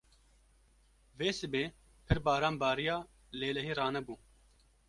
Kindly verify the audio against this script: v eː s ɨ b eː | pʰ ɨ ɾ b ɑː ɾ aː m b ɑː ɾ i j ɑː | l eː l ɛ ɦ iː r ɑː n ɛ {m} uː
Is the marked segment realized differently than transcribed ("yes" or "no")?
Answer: yes